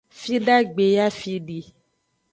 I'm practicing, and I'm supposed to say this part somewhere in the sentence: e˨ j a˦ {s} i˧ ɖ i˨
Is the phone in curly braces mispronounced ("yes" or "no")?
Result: yes